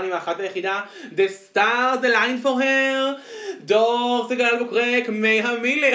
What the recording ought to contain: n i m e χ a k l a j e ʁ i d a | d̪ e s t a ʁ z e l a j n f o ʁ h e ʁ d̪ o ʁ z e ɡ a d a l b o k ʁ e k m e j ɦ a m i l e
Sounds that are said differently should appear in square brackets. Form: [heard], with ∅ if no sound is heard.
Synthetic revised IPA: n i m [a] χ a [t] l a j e [χ] i d a | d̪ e s t a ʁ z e l a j n f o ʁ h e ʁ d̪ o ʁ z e ɡ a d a l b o k ʁ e k m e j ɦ a m i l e